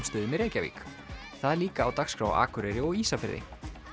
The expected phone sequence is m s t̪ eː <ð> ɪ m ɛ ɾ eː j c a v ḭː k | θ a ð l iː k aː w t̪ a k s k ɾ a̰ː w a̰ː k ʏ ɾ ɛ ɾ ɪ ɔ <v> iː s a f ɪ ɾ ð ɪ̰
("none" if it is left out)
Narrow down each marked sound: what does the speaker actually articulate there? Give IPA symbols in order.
ð, ɣ

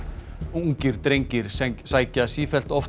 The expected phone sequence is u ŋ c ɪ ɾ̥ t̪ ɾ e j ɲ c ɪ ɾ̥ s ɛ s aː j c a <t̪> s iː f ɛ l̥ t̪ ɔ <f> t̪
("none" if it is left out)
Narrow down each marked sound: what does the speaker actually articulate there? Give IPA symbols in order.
none, f

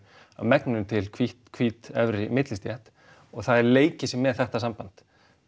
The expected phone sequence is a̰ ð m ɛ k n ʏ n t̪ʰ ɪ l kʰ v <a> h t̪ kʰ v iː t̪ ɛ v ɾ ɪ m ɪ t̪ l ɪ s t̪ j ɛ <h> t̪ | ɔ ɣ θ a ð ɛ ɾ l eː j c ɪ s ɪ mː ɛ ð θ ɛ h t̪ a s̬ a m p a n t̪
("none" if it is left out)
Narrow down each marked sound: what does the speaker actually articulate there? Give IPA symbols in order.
i, h

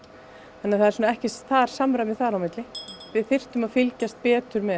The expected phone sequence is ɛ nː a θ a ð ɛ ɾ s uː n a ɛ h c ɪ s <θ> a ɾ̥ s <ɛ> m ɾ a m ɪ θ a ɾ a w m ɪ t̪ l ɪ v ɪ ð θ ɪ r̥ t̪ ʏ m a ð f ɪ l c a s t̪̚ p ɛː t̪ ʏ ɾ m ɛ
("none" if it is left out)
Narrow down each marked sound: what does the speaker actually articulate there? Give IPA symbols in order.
θ, a

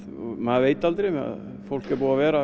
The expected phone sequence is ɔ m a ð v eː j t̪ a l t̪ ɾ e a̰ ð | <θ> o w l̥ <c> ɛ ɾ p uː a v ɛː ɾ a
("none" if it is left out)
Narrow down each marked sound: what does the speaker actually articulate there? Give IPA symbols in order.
f, k

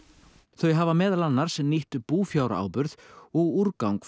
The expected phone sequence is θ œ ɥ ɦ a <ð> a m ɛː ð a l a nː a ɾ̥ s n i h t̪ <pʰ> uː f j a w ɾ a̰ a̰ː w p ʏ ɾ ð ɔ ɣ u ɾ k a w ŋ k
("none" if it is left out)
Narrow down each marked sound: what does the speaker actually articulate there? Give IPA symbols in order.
v, p

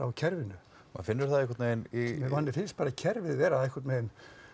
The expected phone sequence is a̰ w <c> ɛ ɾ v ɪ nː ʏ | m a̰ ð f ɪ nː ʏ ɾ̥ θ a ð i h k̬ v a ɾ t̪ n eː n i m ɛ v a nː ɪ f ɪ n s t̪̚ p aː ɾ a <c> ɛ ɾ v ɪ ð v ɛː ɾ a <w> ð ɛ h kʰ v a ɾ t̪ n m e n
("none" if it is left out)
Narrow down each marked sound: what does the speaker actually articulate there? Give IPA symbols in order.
cʰ, cʰ, none

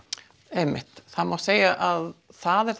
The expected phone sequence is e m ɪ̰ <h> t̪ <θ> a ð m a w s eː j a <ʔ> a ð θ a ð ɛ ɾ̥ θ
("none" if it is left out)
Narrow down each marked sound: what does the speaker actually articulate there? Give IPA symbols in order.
h, θ, ʔ

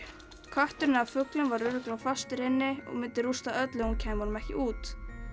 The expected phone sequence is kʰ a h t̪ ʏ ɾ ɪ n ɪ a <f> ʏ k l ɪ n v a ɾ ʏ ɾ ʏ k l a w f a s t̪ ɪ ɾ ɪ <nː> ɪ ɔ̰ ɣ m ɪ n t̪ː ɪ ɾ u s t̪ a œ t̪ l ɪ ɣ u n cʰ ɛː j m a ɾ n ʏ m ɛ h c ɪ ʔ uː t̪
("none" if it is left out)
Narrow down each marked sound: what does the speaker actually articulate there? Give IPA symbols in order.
f, nː

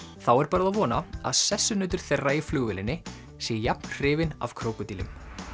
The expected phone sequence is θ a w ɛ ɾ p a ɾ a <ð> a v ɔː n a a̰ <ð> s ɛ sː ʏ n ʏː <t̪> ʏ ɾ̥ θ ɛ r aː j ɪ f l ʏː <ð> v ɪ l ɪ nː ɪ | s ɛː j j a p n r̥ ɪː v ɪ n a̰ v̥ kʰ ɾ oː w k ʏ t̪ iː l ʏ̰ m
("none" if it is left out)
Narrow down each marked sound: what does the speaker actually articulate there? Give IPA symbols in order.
ð, ð, t̪, ɣ

